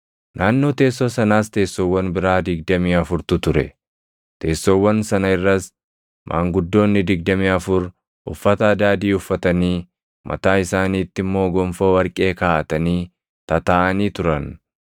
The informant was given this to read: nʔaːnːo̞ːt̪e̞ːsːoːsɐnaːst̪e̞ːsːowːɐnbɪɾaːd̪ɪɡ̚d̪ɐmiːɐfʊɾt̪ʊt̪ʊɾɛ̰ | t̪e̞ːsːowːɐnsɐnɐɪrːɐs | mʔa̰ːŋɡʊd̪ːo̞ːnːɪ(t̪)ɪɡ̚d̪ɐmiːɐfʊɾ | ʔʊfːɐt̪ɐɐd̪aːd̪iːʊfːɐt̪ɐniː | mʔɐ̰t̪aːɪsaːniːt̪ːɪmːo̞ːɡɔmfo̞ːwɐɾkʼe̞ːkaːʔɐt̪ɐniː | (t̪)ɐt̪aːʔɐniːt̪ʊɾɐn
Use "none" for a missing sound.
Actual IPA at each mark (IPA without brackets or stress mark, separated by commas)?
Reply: d̪, t̪